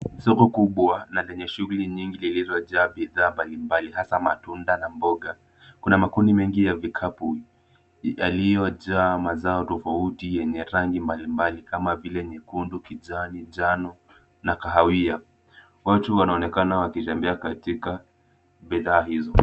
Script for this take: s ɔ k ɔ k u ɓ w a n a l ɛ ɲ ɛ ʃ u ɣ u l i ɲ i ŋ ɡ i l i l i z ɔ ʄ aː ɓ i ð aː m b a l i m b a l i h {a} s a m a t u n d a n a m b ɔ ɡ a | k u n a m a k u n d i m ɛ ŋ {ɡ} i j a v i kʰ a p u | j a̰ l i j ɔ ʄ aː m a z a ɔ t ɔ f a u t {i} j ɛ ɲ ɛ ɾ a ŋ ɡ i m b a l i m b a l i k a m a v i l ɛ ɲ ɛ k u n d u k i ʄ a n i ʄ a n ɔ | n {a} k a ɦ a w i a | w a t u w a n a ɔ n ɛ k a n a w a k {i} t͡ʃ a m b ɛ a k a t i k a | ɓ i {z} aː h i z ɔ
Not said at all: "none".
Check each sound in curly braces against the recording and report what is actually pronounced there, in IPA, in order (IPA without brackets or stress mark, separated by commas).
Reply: a, ɡ, i, a, i, ð